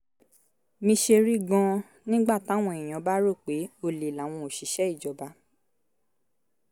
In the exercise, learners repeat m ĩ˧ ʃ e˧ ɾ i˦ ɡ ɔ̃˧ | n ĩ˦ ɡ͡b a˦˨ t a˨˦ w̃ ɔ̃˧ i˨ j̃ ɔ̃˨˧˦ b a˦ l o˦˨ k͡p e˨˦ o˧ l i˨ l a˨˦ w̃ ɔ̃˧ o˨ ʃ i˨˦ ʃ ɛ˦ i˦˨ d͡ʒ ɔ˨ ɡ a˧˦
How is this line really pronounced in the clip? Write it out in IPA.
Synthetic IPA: m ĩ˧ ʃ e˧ ɾ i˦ ɡ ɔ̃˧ | n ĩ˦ ɡ͡b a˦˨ t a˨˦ w̃ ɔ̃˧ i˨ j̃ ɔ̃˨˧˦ b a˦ ɾ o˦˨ k͡p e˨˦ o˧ l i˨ l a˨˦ w̃ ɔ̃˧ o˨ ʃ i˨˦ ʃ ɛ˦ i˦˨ d͡ʒ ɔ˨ b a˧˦